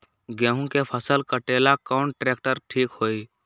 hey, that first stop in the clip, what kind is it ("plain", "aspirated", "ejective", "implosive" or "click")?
plain